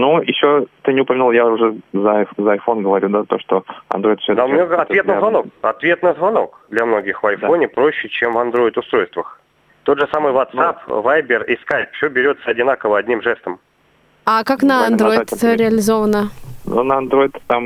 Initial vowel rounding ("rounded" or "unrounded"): rounded